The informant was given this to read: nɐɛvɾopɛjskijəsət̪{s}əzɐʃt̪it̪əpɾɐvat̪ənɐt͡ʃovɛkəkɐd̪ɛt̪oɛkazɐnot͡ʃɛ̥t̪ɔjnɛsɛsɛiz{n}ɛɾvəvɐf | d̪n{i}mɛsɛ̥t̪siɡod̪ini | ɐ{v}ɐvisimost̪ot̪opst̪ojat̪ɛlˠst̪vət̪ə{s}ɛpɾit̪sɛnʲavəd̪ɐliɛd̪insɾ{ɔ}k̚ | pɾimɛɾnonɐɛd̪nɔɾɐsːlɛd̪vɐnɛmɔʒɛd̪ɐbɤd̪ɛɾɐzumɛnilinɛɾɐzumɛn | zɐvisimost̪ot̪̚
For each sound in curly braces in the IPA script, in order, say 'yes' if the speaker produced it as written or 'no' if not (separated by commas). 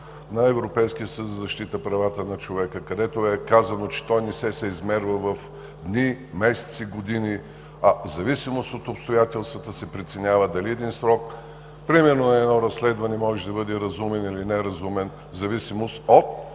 no, no, yes, no, yes, yes